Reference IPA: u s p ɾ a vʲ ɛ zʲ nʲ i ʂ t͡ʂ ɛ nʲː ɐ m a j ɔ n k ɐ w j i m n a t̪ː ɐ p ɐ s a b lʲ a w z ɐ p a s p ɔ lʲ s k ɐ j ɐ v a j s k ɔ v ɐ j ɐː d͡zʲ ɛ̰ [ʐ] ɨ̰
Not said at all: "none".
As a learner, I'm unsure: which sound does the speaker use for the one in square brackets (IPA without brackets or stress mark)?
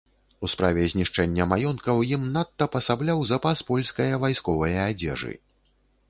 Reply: ʐ